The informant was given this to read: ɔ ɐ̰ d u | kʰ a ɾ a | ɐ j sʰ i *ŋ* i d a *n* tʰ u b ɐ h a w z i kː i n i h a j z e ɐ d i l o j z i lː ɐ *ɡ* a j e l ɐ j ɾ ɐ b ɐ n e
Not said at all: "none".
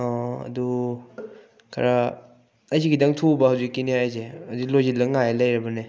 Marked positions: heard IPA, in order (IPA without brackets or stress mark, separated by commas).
ɡ, ŋ, ŋ